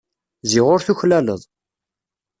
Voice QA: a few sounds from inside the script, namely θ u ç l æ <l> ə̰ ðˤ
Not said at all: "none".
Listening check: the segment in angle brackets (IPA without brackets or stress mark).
l